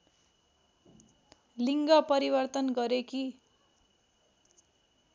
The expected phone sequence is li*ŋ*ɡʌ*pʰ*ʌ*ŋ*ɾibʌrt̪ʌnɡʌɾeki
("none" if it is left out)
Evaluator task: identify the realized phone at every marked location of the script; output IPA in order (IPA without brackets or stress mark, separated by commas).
ŋ, p, none